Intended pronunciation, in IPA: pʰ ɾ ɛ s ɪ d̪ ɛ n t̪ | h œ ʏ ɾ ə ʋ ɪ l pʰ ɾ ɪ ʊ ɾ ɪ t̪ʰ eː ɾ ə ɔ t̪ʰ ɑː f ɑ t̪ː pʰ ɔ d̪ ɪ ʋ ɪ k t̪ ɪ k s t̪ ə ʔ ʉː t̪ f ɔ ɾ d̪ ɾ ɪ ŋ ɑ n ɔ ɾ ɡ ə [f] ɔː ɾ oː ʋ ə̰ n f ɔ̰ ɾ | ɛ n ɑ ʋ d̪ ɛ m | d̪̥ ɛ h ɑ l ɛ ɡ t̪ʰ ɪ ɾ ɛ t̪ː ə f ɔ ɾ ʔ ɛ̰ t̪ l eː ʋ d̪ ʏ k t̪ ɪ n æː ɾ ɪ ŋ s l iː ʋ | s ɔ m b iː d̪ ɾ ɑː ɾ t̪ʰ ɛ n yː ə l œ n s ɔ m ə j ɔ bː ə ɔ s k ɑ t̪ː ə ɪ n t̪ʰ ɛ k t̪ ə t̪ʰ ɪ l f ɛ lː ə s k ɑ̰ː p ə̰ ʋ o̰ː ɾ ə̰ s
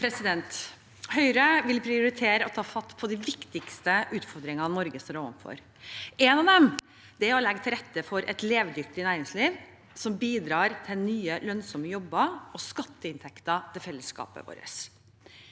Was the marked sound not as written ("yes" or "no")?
yes